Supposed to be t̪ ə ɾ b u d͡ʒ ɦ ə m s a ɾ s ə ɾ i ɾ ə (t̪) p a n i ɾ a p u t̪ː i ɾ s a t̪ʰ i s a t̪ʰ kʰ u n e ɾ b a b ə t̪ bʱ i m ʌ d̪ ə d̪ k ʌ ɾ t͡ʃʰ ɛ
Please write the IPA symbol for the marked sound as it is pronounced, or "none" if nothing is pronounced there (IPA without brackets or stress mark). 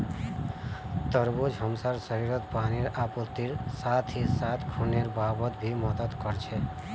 t̪